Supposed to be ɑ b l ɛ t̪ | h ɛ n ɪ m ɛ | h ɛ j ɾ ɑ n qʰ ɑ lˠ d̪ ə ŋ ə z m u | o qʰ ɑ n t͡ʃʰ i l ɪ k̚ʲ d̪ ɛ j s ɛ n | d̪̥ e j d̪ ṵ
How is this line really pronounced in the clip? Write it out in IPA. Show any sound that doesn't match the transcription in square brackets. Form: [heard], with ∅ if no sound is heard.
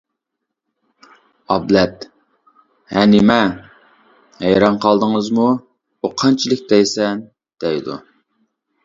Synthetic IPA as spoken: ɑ b l ɛ t̪ | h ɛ n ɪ m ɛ | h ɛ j ɾ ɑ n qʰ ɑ lˠ d̪ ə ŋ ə z m u | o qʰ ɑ n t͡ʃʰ i l ɪ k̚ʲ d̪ ɛ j s ɛ n | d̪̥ [ɛ] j d̪ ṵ